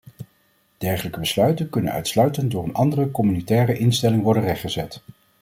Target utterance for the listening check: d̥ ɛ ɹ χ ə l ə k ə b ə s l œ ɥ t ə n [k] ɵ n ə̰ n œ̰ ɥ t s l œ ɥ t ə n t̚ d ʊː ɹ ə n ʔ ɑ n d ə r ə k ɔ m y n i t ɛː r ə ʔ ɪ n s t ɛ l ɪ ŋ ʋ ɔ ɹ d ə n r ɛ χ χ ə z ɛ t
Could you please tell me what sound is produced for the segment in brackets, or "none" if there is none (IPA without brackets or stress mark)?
k